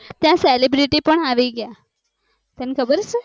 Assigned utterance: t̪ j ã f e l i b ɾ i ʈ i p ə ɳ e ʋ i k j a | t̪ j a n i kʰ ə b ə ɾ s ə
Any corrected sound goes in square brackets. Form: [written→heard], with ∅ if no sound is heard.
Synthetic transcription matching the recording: t̪ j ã [f→s] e l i b ɾ i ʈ i p ə ɳ [e→a] ʋ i [k→ɡ] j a | t̪ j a n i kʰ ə b ə ɾ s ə